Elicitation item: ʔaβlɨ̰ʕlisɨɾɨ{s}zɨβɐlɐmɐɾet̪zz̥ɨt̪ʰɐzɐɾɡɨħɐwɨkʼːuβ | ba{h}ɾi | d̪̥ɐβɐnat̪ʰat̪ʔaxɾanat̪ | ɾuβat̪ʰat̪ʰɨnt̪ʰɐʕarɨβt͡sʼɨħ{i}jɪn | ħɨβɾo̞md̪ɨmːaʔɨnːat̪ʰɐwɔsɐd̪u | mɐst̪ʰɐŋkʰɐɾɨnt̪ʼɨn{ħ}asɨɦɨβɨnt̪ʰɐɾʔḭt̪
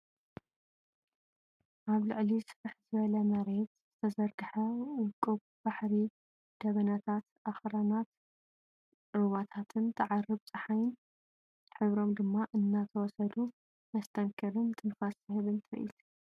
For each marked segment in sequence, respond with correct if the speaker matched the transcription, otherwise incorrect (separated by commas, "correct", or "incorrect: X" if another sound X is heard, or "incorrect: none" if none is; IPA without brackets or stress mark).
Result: incorrect: ħ, incorrect: ħ, incorrect: a, incorrect: f